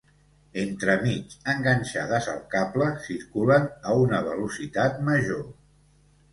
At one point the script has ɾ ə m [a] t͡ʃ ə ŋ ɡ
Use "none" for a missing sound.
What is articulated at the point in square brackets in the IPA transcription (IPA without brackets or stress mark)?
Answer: i